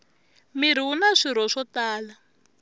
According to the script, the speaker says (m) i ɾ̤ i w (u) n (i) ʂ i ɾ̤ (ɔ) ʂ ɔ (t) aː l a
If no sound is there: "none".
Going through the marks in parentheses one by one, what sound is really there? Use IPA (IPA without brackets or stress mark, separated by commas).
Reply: m, u, a, ɔ, t